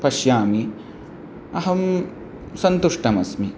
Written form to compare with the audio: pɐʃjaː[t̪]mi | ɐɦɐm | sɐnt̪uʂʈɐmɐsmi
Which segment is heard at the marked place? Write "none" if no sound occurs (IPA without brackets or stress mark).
none